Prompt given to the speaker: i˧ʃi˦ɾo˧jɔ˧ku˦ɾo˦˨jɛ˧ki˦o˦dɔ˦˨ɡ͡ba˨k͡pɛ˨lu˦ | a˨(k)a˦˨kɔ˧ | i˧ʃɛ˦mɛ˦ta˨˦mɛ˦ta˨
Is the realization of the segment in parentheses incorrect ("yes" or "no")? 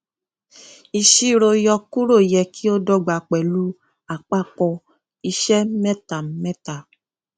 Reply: yes